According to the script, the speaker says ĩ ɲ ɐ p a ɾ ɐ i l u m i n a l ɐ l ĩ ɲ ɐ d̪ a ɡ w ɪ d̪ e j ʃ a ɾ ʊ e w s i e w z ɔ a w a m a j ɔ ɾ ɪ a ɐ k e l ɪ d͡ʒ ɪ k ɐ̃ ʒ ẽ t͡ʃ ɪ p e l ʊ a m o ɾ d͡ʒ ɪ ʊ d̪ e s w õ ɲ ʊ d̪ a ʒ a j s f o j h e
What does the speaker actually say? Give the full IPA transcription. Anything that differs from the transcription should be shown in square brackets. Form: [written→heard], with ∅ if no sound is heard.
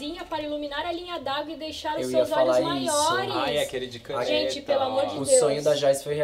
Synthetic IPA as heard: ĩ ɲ ɐ p a ɾ ɐ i l u m i n a [l→ɾ] ɐ l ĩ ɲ ɐ d̪ a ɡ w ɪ d̪ e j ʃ a ɾ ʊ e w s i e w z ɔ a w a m a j ɔ ɾ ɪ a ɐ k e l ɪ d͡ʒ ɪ k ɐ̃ ʒ ẽ t͡ʃ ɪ p e l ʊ a m o ɾ d͡ʒ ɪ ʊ d̪ e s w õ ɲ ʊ d̪ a ʒ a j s f o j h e

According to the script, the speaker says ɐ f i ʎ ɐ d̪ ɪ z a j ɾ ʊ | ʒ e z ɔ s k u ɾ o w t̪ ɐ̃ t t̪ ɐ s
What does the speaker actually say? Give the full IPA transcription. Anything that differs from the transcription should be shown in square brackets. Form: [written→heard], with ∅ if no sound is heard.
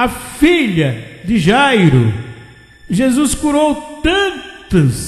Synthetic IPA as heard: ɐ f i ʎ ɐ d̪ ɪ [z→ʒ] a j ɾ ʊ | ʒ e z [ɔ→u] s k u ɾ o w t̪ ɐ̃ t t̪ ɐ s

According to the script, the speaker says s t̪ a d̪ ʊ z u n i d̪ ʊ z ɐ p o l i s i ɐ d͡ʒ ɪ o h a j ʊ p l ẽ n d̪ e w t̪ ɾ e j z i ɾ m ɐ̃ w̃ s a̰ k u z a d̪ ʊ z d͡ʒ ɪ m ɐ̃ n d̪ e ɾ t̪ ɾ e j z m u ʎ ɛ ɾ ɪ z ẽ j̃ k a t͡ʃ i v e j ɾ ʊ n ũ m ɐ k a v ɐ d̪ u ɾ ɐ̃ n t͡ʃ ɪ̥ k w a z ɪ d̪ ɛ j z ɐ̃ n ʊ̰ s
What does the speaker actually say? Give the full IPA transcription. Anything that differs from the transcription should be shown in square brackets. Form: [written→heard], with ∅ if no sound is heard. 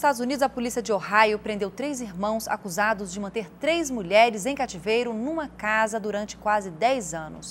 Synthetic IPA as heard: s t̪ a d̪ ʊ z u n i d̪ ʊ z ɐ p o l i s i ɐ d͡ʒ ɪ o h a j ʊ p [l→ɾ] ẽ n d̪ e w t̪ ɾ e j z i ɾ m ɐ̃ w̃ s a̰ k u z a d̪ ʊ z d͡ʒ ɪ m ɐ̃ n [d̪→t̪] e ɾ t̪ ɾ e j z m u ʎ ɛ ɾ ɪ z ẽ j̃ k a t͡ʃ i v e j ɾ ʊ n ũ m ɐ k a [v→z] ɐ d̪ u ɾ ɐ̃ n t͡ʃ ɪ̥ k w a z ɪ d̪ ɛ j z ɐ̃ n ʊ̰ s

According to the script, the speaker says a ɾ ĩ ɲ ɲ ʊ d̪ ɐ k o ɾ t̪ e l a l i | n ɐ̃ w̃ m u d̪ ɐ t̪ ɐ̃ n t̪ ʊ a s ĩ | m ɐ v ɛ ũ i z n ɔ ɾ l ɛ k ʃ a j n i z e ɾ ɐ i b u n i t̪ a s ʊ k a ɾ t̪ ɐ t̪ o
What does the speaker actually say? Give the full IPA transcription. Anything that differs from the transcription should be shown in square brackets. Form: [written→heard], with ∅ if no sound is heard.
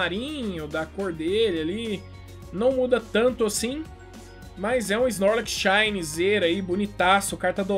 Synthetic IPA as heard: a ɾ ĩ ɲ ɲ ʊ d̪ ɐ k o ɾ [t̪→d̪] e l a l i | n ɐ̃ w̃ m u d̪ ɐ t̪ ɐ̃ n t̪ ʊ a s ĩ | m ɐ [v→z] ɛ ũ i z n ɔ ɾ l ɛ k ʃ a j n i z e ɾ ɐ i b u n i t̪ a s ʊ k a ɾ t̪ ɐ [t̪→d̪] o

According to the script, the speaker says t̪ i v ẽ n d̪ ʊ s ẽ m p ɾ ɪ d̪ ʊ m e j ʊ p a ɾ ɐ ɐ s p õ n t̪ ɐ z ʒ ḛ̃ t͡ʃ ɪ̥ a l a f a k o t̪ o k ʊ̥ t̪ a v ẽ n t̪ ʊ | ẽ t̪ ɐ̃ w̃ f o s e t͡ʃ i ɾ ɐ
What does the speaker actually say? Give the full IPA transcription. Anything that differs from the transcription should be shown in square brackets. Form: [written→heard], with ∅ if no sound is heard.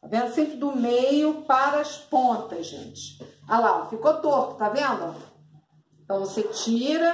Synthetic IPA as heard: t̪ [i→a] v ẽ n d̪ ʊ s ẽ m p ɾ ɪ d̪ ʊ m e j ʊ p a ɾ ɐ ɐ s p õ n t̪ ɐ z ʒ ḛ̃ t͡ʃ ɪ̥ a l a f [a→i] k o t̪ o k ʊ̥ t̪ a v ẽ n [t̪→d̪] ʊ | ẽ t̪ ɐ̃ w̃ [f→v] o s e t͡ʃ i ɾ ɐ

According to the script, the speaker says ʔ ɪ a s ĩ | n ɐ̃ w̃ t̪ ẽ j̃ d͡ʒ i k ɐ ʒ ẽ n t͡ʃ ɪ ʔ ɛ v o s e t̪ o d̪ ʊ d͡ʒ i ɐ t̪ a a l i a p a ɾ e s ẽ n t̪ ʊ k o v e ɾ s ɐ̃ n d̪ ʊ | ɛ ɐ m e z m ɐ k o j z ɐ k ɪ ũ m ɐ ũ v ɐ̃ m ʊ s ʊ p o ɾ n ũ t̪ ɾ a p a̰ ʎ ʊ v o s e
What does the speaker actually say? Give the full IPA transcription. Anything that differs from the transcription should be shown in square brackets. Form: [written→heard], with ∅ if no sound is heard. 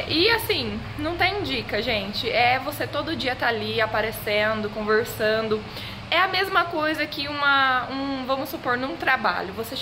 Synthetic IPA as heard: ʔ ɪ a s ĩ | n ɐ̃ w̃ t̪ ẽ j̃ d͡ʒ i k ɐ ʒ ẽ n t͡ʃ ɪ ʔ ɛ v o s e t̪ o d̪ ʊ d͡ʒ i ɐ t̪ a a l i a p a ɾ e s ẽ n [t̪→d̪] ʊ k [o→õ] v e ɾ s ɐ̃ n d̪ ʊ | ɛ ɐ m e z m ɐ k o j z ɐ k ɪ ũ m ɐ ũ v ɐ̃ m ʊ s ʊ p o ɾ n ũ t̪ ɾ a [p→b] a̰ ʎ ʊ v o s e

